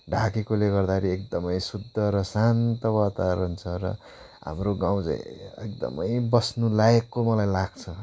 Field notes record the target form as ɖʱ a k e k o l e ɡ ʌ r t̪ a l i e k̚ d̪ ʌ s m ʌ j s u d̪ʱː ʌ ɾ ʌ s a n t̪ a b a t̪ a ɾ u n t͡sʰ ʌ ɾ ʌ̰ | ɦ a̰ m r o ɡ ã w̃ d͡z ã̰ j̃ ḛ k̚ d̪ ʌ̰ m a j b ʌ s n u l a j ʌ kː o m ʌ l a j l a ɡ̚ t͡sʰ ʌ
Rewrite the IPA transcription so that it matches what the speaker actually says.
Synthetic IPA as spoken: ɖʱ a k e k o l e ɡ ʌ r d̪ a ɾ i e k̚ d̪ ʌ m ʌ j s u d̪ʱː ʌ ɾ ʌ s a n t̪ ʌ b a t̪ a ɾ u n t͡sʰ ʌ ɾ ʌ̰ | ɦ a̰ m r o ɡ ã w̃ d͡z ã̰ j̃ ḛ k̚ d̪ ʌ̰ m ʌ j b ʌ s n u l a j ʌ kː o m ʌ l a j l a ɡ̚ t͡sʰ ʌ